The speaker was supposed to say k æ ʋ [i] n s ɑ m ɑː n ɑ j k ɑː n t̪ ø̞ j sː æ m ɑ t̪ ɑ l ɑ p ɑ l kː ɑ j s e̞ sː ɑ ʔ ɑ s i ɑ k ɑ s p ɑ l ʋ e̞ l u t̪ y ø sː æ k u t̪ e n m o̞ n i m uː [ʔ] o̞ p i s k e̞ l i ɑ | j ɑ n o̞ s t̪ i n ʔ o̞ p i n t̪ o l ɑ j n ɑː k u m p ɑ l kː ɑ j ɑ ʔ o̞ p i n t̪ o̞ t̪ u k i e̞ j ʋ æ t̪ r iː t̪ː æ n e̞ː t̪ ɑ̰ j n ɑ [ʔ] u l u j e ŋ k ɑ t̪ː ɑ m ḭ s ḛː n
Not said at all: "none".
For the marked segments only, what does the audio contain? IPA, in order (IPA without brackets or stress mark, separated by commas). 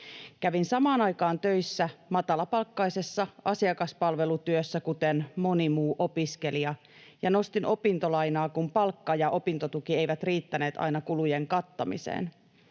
i, ʔ, k